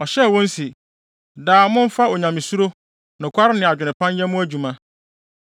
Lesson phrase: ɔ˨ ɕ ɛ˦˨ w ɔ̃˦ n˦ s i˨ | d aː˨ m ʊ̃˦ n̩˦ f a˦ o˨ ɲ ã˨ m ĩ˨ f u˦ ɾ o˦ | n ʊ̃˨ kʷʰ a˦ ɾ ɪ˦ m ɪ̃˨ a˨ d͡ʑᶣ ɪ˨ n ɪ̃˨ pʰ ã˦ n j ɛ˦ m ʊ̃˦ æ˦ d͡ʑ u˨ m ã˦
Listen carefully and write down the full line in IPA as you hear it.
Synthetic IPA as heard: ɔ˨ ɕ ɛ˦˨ w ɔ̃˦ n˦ s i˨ | d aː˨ m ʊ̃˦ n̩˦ f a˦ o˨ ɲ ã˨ m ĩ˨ s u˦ ɾ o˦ | n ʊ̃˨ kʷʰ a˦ ɾ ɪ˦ n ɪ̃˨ a˨ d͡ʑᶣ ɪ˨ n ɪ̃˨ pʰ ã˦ n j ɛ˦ m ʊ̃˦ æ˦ d͡ʑ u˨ m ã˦